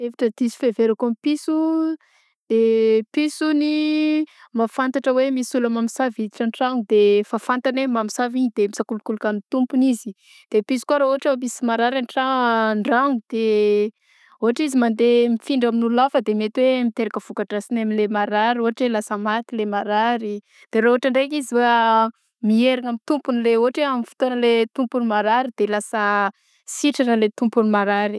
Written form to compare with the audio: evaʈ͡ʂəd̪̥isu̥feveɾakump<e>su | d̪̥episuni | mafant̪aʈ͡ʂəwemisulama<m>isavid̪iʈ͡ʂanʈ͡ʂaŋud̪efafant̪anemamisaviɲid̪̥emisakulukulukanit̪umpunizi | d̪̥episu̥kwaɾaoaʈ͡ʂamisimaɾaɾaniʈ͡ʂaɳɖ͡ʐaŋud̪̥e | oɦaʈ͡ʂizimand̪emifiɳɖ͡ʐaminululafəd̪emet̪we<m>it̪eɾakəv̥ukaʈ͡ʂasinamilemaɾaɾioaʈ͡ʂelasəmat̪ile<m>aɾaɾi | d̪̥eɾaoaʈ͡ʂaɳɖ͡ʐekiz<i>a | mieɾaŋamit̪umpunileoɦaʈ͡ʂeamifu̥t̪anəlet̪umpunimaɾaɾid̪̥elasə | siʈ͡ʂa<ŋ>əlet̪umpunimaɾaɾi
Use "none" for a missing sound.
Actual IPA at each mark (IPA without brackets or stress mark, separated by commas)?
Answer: i, m, m, m, i, n